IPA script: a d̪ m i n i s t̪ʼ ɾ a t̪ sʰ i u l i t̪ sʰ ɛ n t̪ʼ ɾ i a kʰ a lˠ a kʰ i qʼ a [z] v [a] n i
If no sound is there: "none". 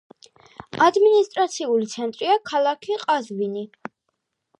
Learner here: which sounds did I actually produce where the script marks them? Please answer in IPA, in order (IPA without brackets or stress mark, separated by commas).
z, i